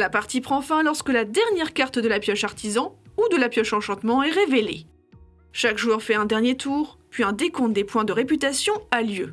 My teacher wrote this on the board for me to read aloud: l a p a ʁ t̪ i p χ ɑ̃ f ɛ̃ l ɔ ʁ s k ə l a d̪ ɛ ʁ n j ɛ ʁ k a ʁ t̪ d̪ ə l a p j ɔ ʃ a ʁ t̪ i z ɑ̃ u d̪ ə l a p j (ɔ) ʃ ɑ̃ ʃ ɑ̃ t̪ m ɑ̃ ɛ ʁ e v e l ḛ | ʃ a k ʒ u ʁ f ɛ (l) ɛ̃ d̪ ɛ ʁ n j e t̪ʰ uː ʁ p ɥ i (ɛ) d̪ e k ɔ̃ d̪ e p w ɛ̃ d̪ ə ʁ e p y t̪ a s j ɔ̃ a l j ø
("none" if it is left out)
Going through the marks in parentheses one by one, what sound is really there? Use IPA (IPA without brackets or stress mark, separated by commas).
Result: ɔ, none, ɛ̃